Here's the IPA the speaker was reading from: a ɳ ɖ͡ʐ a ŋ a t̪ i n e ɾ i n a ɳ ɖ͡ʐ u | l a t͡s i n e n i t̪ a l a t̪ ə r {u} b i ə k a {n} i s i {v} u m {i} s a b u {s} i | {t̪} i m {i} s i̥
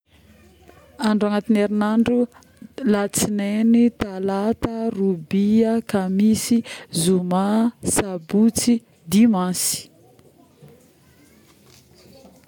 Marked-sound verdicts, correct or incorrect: correct, incorrect: m, incorrect: z, incorrect: a, incorrect: t͡s, incorrect: d̪, incorrect: a

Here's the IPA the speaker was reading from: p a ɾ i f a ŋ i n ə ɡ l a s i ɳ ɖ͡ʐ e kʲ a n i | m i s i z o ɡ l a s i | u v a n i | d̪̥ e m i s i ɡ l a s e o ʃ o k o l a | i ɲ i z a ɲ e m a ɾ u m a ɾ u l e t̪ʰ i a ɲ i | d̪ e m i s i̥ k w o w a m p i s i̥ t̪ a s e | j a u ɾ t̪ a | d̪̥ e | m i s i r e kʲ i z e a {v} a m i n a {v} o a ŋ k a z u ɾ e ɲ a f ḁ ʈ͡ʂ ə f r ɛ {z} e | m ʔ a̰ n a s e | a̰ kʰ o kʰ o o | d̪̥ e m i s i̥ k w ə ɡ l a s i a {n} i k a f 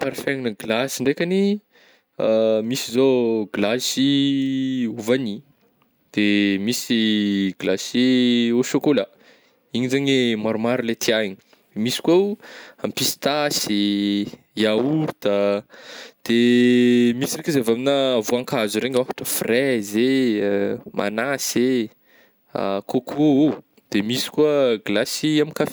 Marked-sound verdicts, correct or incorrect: correct, correct, correct, incorrect: m

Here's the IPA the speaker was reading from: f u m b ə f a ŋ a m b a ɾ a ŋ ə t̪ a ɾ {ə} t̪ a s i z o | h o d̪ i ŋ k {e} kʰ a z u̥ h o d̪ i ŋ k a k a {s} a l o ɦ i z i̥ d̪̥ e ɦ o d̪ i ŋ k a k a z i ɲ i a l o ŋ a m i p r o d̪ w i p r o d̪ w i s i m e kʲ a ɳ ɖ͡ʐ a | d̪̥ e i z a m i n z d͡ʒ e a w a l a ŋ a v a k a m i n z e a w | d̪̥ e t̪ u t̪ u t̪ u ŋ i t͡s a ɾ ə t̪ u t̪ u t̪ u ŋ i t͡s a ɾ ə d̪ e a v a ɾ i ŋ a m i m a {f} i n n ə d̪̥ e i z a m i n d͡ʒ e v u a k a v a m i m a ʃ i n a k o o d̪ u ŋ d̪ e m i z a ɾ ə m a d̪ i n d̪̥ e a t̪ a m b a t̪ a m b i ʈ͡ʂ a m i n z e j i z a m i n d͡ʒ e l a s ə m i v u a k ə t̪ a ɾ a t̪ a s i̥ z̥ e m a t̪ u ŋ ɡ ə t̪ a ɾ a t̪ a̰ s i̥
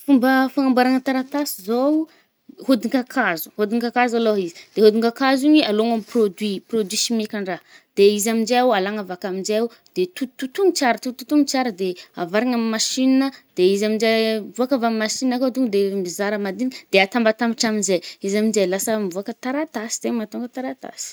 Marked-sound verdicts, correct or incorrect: incorrect: a, incorrect: a, incorrect: z, incorrect: ʃ

